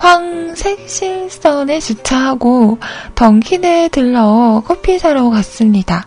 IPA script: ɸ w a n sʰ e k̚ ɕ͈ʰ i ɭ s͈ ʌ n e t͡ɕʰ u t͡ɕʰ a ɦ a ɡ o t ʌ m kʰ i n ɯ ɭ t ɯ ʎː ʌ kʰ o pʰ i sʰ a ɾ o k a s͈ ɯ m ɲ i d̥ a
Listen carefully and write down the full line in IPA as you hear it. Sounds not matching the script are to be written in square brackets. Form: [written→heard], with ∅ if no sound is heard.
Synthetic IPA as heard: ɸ w a [n→ŋ] sʰ e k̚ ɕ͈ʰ i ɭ s͈ ʌ n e [t͡ɕʰ→t͡ɕ] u t͡ɕʰ a ɦ a ɡ o t ʌ [m→ŋ] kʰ i n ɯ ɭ t ɯ [ʎː→ɭː] ʌ kʰ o pʰ i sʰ a ɾ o k a s͈ ɯ m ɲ i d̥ a